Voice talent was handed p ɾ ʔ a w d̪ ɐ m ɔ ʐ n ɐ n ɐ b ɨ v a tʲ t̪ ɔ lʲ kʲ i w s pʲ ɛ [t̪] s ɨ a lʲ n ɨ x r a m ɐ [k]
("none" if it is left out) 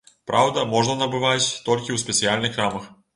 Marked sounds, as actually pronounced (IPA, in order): t̪, x

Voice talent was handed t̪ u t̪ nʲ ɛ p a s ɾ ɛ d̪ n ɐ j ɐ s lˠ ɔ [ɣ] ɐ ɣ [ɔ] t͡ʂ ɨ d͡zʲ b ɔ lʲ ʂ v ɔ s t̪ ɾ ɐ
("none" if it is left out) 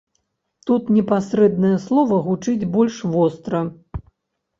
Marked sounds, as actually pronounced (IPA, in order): v, u

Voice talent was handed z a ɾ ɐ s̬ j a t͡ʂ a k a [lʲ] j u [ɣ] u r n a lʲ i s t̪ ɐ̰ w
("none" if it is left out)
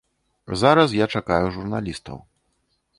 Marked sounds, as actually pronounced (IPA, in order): none, ʐ

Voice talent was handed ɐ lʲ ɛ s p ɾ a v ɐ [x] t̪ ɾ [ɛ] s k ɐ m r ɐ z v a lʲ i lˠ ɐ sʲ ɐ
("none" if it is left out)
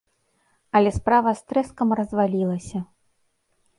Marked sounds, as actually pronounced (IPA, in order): s, ɛ

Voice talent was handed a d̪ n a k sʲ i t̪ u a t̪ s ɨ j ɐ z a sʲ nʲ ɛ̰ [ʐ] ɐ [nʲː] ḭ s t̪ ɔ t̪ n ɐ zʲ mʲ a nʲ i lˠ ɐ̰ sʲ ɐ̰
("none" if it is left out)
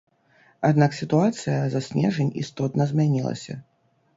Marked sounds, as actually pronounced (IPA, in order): ʐ, nʲ

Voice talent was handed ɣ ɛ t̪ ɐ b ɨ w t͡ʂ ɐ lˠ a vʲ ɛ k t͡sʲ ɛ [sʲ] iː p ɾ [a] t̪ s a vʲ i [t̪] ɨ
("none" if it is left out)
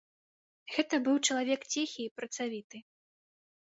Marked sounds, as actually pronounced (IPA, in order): xʲ, ɐ, t̪

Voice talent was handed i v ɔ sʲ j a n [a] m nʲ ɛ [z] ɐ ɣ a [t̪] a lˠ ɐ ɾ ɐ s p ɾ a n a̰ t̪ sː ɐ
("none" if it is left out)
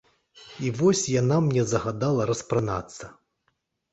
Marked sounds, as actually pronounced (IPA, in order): a, z, d̪

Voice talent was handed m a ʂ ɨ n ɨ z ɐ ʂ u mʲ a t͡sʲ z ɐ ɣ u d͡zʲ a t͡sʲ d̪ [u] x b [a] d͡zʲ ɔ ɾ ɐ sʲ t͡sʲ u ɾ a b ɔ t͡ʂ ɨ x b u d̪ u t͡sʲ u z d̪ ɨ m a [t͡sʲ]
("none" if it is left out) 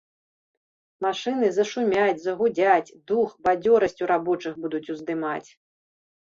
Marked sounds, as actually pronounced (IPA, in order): u, a, t͡sʲ

